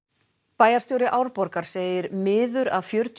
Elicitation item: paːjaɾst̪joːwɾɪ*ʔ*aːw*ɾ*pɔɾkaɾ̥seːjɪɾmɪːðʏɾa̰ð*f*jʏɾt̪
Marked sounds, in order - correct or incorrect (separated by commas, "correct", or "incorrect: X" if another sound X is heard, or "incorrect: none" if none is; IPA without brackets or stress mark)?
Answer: correct, correct, correct